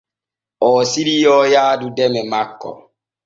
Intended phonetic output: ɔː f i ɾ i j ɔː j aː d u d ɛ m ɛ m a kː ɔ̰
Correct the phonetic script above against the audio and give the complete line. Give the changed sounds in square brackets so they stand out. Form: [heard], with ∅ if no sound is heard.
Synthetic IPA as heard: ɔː [s] i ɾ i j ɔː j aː d u d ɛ m ɛ m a kː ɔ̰